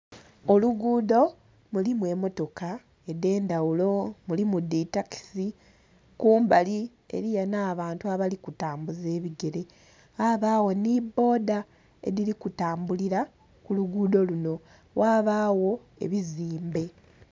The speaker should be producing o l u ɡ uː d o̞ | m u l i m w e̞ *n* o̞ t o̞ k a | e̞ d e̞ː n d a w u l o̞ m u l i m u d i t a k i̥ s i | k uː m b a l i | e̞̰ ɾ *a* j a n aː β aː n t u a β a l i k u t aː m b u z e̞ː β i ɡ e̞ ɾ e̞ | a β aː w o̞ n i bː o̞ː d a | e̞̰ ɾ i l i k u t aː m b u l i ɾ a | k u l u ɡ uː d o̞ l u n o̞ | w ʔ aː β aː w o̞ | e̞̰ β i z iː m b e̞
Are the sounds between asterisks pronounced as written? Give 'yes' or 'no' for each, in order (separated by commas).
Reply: no, no